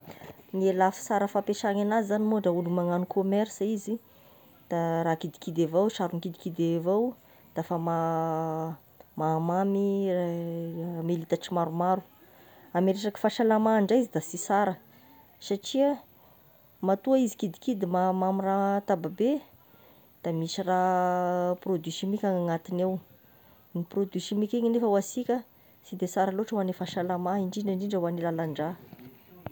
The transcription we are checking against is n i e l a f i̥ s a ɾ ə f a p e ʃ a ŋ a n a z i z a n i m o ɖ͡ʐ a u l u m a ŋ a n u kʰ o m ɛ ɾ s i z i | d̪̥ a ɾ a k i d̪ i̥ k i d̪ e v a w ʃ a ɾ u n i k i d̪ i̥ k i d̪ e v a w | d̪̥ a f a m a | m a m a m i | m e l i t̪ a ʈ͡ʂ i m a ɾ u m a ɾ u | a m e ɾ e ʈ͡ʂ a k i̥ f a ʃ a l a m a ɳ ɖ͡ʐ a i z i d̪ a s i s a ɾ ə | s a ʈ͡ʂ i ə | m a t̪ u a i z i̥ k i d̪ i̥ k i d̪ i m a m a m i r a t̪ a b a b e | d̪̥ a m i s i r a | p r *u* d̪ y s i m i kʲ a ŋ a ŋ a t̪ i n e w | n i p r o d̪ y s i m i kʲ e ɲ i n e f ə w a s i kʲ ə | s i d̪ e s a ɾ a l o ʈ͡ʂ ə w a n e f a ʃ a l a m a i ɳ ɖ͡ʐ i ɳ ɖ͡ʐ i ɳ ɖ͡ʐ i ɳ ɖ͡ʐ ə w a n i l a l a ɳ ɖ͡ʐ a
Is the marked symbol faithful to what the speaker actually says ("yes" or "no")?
no